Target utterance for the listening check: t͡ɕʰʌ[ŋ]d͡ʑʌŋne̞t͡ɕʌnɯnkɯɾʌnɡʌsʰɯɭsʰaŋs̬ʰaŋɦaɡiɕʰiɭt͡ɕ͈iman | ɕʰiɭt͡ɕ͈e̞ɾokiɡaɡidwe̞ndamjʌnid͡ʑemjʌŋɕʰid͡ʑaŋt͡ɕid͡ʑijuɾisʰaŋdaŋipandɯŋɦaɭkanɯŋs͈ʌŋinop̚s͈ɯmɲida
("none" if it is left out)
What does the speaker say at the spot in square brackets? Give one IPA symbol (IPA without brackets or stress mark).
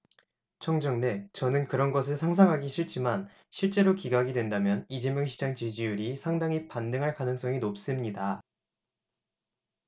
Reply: ŋ